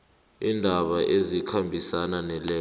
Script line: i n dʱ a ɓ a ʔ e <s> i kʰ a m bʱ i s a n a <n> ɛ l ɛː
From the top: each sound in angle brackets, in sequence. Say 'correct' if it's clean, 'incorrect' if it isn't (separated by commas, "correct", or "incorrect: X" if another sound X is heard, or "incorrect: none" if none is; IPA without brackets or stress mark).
incorrect: z, correct